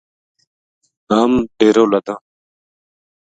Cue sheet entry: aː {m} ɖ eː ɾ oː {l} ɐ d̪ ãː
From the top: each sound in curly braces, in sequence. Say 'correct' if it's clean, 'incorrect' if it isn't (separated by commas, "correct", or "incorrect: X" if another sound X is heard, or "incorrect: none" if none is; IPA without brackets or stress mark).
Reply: correct, correct